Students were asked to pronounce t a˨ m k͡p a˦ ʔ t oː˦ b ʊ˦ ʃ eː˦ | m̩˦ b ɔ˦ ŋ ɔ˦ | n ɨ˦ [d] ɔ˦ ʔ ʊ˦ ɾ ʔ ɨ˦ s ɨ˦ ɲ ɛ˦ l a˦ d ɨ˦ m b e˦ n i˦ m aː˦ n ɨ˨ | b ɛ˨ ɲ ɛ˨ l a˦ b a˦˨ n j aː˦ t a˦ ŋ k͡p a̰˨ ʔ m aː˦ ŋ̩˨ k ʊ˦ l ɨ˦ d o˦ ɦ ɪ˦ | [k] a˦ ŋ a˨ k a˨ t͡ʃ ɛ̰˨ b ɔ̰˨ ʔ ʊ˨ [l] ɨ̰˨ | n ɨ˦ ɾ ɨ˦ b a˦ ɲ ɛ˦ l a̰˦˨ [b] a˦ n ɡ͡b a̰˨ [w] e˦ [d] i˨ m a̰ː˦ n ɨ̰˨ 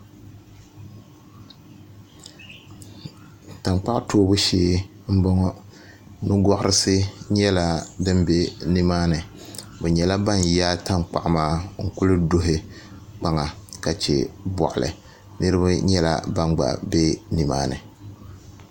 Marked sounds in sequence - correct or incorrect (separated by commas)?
incorrect, incorrect, correct, correct, incorrect, incorrect